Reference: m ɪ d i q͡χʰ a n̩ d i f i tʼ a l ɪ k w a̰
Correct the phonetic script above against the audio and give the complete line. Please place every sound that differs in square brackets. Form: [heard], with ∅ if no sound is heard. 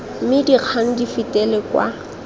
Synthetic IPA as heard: m ɪ d i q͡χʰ a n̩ d i f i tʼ [ɛ] l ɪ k w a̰